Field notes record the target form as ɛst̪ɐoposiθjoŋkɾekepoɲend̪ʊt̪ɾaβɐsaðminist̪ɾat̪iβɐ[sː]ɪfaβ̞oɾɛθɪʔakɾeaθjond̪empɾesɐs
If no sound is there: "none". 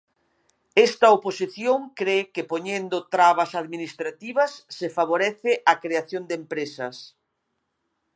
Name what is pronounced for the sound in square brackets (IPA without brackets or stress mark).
sː